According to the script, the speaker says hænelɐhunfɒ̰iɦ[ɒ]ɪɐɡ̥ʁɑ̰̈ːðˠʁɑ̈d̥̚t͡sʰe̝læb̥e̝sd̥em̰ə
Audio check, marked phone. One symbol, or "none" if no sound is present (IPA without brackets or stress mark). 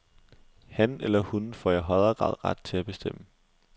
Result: ɒ